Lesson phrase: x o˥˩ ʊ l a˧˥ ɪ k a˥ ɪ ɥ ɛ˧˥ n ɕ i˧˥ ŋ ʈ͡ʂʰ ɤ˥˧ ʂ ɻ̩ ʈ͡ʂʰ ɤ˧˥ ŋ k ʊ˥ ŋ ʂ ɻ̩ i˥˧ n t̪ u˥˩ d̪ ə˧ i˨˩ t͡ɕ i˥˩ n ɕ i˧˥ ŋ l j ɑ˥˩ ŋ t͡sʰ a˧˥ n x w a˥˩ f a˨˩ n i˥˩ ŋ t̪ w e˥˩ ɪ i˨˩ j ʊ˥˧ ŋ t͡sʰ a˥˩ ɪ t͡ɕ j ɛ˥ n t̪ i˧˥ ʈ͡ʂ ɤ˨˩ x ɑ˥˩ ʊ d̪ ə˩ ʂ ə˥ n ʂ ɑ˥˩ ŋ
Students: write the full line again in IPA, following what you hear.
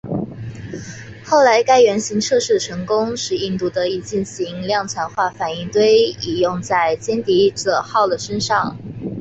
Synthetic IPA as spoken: x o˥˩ ʊ l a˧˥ ɪ k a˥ ɪ ɥ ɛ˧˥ n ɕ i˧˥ ŋ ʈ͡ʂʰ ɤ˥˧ ʂ ɻ̩ ʈ͡ʂʰ ɤ˧˥ ŋ k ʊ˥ ŋ ʂ ɻ̩ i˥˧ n t̪ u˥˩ d̪ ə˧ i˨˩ t͡ɕ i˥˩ n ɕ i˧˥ ŋ l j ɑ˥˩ ŋ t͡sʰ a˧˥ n x w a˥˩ f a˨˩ n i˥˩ ŋ t̪ w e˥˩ ɪ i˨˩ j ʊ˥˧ ŋ t͡s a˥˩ ɪ t͡ɕ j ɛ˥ n t̪ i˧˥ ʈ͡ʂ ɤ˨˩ x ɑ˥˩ ʊ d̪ ə˩ ʂ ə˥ n ʂ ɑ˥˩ ŋ